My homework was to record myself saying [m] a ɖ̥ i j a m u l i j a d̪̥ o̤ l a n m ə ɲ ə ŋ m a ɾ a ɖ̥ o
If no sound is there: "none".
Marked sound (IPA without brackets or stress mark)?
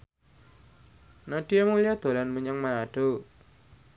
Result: n